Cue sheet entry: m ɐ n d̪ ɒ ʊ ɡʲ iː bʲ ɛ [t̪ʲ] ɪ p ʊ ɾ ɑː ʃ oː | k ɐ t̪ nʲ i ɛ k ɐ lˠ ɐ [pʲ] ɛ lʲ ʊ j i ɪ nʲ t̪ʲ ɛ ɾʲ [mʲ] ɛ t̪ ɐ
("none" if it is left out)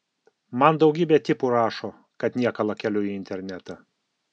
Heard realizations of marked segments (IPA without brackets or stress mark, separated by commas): t̪ʲ, kʲ, nʲ